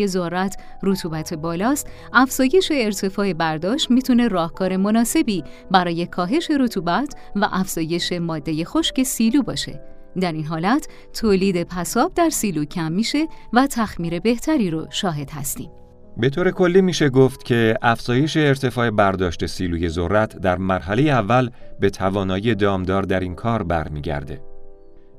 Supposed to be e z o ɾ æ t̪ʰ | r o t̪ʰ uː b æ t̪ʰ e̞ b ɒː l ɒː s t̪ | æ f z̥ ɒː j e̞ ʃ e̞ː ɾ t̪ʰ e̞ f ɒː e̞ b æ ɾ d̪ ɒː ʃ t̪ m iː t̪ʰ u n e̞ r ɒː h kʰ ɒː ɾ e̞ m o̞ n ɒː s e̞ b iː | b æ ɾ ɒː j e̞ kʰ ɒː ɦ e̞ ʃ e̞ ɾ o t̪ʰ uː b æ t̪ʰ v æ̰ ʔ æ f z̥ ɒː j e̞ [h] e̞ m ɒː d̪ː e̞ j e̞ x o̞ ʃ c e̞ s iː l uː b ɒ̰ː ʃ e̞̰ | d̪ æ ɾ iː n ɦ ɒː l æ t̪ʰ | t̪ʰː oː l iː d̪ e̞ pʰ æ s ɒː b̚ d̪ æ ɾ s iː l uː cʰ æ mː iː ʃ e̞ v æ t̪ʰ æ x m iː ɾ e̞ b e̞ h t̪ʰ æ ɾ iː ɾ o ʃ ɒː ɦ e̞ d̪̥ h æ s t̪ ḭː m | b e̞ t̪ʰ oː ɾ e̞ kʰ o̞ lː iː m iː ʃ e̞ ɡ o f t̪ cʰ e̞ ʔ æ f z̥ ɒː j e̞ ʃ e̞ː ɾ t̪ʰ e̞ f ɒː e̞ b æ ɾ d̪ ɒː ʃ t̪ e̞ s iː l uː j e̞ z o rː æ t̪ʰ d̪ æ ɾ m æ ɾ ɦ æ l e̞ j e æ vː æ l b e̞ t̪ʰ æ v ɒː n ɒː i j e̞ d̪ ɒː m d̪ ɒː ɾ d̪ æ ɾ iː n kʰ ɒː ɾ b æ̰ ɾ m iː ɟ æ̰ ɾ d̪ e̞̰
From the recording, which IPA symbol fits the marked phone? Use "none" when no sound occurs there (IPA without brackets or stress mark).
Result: ʃ